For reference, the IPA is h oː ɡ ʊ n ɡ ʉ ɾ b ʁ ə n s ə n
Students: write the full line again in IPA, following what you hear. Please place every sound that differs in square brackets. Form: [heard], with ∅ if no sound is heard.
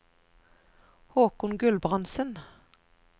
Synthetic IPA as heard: h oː [k] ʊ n ɡ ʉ [l] b ʁ [ɑ] n s ə n